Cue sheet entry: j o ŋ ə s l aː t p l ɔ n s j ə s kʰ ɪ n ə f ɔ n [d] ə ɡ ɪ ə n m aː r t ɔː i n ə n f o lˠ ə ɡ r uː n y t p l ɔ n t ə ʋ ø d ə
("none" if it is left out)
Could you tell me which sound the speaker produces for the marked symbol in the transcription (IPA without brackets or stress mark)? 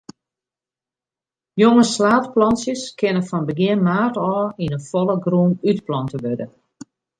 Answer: b